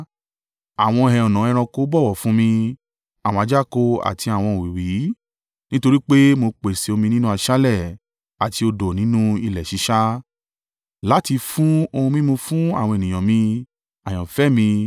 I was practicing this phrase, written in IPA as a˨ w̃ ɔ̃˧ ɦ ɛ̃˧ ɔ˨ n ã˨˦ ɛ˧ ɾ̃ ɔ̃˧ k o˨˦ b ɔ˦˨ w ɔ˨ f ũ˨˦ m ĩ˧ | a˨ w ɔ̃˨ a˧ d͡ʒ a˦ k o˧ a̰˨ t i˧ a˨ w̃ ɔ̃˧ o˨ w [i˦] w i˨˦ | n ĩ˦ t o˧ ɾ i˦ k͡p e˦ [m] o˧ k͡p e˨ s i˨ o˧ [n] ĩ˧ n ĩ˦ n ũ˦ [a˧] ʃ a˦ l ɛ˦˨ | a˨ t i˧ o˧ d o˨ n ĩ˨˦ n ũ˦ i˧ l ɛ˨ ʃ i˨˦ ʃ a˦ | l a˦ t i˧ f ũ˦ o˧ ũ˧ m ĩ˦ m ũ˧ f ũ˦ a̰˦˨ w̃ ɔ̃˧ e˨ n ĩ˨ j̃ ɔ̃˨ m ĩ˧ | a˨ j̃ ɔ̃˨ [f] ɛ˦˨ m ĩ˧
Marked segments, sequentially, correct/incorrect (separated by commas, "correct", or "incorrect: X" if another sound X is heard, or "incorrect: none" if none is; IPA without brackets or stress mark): incorrect: i˨, correct, incorrect: m, correct, correct